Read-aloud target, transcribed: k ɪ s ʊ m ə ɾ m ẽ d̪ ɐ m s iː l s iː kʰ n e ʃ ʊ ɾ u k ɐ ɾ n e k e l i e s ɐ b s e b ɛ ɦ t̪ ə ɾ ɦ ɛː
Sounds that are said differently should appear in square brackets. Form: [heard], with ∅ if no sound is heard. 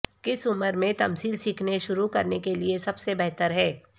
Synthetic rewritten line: k ɪ s ʊ m ə ɾ m ẽ [t̪] ɐ m s iː l s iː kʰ n e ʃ ʊ ɾ u k ɐ ɾ n e k e l i e s ɐ b s e b ɛ ɦ t̪ ə ɾ ɦ ɛː